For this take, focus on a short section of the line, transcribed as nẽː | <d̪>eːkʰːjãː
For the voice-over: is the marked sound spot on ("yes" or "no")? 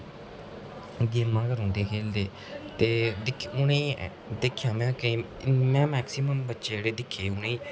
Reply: yes